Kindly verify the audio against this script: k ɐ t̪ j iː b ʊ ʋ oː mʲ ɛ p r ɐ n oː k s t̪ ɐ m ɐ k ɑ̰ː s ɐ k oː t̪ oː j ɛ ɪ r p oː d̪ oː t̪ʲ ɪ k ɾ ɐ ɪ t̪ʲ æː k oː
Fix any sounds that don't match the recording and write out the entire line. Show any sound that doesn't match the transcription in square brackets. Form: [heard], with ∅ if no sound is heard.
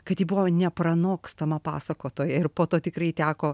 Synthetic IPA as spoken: k ɐ t̪ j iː b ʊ ʋ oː [nʲ] ɛ p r ɐ n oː k s t̪ ɐ m ɐ [p] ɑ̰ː s ɐ k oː t̪ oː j ɛ ɪ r p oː [t̪] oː t̪ʲ ɪ k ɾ ɐ ɪ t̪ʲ æː k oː